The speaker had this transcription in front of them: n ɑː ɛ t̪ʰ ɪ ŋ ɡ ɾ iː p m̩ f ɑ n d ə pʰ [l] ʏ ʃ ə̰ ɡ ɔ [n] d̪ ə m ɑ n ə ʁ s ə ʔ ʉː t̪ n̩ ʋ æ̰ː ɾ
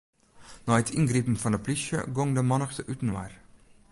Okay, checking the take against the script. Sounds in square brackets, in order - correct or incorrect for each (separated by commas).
correct, incorrect